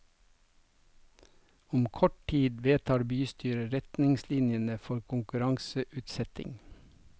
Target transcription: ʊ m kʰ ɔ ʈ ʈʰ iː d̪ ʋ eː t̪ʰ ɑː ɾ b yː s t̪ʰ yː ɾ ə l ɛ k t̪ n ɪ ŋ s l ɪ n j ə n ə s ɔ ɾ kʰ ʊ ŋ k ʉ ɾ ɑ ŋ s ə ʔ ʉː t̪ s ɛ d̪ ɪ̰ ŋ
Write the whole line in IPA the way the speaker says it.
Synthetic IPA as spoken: ʊ m kʰ ɔ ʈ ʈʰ iː d̪ ʋ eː t̪ʰ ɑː ɾ b yː s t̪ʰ yː ɾ ə ɾ ɛ t̪ n ɪ ŋ s l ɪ n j ə n ə f ɔ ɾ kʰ ʊ ŋ k ʉ ɾ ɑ ŋ s ə ʔ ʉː t̪ s ɛ t̪ ɪ̰ ŋ

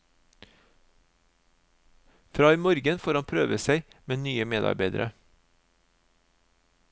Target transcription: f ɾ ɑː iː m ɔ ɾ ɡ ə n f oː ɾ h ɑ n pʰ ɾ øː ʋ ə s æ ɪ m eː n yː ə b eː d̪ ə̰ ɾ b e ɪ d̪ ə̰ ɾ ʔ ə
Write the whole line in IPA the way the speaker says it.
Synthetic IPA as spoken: f ɾ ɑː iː m ɔ ɾ ɡ ə n f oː ɾ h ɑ n pʰ ɾ øː ʋ ə s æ ɪ m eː n yː ə m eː d̪ ɑ̰ ɾ b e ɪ d̪ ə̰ ɾ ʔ ə

